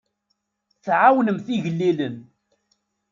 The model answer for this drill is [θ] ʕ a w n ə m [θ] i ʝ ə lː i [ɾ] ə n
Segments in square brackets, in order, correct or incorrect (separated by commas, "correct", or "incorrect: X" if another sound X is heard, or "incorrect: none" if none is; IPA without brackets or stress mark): correct, correct, incorrect: l